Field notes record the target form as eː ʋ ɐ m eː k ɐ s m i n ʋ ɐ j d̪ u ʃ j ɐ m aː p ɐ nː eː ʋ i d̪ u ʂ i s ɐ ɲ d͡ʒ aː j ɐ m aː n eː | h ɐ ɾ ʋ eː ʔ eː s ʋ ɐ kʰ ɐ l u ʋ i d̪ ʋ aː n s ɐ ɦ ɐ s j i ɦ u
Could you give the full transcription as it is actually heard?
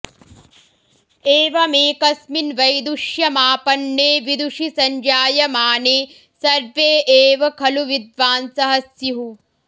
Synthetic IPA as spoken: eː ʋ ɐ m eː k ɐ s m i n ʋ ɐ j d̪ u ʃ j ɐ m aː p ɐ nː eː ʋ i d̪ u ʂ i s ɐ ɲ d͡ʒ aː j ɐ m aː n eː | s ɐ ɾ ʋ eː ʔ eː ʋ ɐ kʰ ɐ l u ʋ i d̪ ʋ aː n s ɐ ɦ ɐ s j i ɦ u